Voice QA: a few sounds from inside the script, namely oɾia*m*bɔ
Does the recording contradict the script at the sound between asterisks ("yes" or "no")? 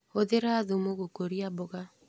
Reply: yes